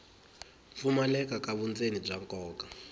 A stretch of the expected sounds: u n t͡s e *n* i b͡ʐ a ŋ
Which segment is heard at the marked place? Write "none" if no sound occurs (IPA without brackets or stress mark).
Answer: n